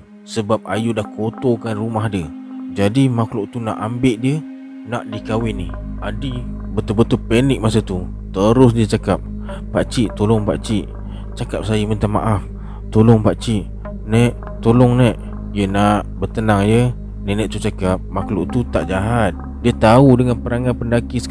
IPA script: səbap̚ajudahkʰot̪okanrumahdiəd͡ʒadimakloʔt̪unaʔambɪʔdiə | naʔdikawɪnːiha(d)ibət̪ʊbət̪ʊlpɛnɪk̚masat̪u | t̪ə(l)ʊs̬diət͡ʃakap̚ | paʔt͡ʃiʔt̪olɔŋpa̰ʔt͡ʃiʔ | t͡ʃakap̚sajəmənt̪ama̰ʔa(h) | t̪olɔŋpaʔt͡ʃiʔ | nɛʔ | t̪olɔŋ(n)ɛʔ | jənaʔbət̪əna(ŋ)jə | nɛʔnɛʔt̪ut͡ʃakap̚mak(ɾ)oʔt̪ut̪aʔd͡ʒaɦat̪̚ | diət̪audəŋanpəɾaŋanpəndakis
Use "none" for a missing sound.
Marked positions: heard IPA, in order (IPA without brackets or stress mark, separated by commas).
d, ɾ, f, n, ŋ, l